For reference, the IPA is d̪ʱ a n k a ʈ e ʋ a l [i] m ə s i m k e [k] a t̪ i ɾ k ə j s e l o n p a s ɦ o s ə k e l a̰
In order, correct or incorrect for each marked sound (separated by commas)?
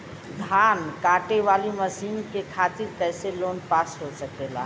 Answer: correct, incorrect